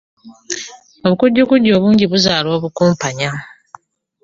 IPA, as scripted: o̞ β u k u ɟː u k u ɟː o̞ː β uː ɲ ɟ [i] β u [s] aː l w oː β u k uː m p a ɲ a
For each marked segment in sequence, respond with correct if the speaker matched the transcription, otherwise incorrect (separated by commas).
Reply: correct, incorrect